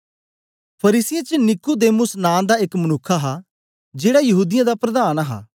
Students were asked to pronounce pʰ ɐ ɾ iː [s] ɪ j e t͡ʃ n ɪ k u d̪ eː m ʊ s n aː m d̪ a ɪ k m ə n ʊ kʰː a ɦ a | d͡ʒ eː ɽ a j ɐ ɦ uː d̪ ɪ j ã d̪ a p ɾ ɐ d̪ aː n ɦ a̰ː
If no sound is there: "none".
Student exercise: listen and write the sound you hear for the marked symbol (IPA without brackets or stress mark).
s